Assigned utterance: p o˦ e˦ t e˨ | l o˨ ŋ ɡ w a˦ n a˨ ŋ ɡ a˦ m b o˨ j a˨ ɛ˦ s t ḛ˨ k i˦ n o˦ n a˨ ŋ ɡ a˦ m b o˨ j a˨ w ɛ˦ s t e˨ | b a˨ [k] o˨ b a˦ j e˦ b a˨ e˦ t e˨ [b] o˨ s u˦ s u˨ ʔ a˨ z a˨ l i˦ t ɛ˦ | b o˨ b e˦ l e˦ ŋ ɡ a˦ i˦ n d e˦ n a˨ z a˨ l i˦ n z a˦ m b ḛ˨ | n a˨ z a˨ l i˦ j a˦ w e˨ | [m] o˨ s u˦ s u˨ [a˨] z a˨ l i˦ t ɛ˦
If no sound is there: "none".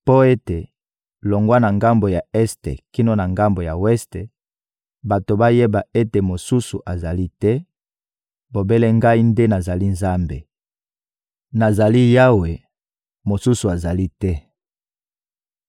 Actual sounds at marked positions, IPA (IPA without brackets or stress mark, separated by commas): t, m, m, a˨